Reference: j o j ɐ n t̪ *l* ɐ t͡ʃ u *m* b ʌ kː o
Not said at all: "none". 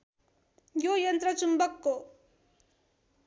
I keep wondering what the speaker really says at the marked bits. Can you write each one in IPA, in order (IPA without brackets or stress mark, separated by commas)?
ɾ, m